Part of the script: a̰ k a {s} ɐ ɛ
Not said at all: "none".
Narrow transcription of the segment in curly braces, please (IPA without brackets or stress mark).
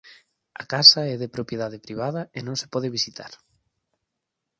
s